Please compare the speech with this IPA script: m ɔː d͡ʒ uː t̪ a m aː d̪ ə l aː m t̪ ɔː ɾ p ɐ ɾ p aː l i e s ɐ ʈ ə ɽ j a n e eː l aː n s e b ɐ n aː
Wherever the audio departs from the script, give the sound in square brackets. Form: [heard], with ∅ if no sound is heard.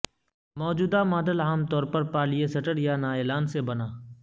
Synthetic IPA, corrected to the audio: m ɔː d͡ʒ uː [d̪] a m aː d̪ ə l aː m t̪ ɔː ɾ p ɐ ɾ p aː l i e s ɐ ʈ ə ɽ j a n [a] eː l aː n s e b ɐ n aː